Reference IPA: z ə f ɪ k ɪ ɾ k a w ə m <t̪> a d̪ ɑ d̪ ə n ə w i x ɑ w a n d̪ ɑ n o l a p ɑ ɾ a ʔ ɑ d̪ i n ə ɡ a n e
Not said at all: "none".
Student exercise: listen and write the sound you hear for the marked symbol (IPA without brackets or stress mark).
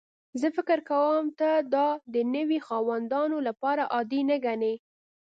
t̪